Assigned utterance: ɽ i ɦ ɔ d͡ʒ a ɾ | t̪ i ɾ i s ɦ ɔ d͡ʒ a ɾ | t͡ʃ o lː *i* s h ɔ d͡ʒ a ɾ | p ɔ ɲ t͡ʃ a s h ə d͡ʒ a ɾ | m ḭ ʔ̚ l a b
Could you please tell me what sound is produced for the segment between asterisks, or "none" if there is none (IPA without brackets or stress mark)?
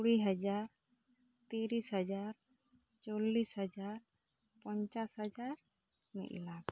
i